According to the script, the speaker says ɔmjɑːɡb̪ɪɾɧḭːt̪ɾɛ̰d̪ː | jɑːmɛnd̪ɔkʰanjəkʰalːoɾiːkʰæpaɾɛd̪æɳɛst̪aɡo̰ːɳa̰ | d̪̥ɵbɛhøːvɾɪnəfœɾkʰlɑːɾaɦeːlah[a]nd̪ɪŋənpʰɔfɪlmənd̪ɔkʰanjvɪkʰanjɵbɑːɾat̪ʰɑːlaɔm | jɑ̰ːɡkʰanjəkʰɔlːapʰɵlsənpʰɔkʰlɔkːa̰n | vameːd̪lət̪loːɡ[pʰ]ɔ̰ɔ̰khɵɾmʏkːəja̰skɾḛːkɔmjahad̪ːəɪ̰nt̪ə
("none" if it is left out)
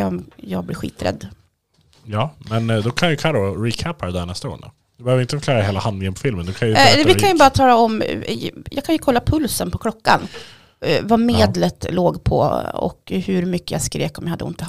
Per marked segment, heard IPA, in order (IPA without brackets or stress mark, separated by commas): a, pʰ